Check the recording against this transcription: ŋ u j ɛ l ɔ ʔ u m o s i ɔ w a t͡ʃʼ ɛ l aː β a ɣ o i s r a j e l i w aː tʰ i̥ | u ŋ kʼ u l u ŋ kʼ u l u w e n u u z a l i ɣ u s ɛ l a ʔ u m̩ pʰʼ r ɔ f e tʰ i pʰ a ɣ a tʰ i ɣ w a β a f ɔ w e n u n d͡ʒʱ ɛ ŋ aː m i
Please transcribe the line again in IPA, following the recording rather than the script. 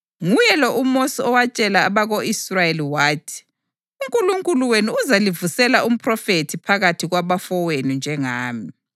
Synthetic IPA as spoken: ŋ u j ɛ l ɔ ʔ u m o s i ɔ w a t͡ʃʼ ɛ l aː β a ɣ o i s r a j e l i w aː tʰ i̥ | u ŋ kʼ u l u ŋ kʼ u l u w e n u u z a l i v u s ɛ l a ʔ u m̩ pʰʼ r ɔ f e tʰ i pʰ a ɣ a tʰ i ɣ w a β a f ɔ w e n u n d͡ʒʱ ɛ ŋ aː m i